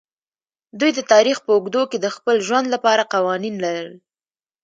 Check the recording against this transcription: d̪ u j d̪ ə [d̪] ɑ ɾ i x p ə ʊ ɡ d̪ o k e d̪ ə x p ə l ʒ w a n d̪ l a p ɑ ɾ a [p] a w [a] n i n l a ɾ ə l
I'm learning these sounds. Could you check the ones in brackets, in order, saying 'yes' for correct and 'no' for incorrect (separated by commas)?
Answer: no, no, no